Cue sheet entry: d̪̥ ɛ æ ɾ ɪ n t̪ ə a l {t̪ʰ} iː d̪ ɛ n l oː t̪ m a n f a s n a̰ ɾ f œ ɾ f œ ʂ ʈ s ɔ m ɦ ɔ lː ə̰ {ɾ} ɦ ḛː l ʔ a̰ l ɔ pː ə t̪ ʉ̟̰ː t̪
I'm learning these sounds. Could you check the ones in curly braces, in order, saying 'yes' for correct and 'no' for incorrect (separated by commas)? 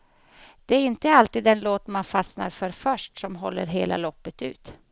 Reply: no, yes